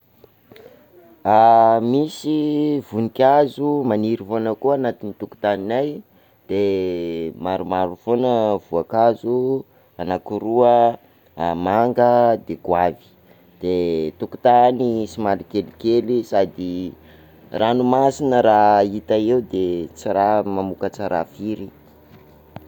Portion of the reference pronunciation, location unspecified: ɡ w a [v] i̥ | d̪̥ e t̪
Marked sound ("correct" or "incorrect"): correct